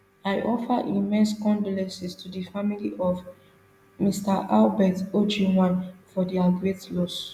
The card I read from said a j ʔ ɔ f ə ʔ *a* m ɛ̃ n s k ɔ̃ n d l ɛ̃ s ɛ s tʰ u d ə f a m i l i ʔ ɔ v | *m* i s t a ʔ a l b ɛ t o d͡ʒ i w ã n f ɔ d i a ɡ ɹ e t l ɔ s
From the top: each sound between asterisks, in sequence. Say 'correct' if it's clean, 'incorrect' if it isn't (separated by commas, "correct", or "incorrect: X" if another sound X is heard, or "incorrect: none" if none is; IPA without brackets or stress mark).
incorrect: i, correct